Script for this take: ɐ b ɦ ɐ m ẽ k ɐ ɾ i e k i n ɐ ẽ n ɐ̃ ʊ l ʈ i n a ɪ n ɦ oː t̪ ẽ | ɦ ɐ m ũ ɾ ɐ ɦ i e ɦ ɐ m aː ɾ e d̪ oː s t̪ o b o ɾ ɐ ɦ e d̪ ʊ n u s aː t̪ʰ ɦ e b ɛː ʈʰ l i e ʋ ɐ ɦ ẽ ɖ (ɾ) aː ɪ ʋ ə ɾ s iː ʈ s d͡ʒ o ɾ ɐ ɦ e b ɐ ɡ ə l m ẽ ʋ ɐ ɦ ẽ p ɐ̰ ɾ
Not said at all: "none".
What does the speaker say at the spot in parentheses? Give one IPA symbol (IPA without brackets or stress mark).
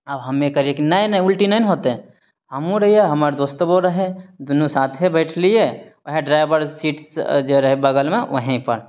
ɾ